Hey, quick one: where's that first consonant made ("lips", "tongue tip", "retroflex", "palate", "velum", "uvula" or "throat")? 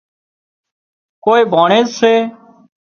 velum